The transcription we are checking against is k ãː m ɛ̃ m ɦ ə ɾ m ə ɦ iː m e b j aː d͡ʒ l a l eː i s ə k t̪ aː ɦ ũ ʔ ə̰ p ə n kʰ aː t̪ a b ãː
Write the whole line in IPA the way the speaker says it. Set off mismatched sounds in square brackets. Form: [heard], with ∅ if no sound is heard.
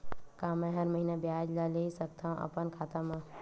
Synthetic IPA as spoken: k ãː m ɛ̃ [∅] ɦ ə ɾ m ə ɦ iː [n] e b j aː d͡ʒ l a l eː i s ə k t̪ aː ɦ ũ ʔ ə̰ p ə n kʰ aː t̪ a [m] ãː